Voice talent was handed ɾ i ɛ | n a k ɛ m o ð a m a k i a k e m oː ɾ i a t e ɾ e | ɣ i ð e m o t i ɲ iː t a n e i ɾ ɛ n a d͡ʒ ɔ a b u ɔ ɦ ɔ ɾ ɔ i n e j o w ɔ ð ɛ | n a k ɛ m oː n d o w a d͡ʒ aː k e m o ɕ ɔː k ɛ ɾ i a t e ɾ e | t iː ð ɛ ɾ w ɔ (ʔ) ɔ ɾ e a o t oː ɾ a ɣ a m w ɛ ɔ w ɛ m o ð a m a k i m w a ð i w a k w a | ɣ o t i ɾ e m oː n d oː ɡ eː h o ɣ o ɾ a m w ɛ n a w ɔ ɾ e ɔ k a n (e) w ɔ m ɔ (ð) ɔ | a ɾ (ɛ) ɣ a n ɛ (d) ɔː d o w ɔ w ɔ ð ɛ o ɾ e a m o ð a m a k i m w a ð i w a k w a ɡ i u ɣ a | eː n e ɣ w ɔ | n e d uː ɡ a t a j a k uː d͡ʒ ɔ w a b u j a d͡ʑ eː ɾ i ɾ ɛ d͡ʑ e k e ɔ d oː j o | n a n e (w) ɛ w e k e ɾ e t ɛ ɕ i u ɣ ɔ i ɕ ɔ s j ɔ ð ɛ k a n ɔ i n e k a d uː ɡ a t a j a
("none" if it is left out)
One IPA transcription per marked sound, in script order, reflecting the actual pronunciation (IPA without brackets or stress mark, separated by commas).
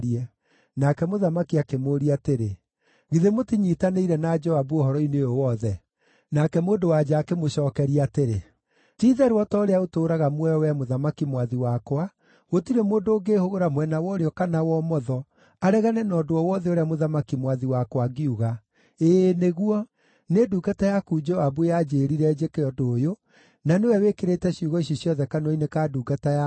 t, a, ð, ɛ, n, w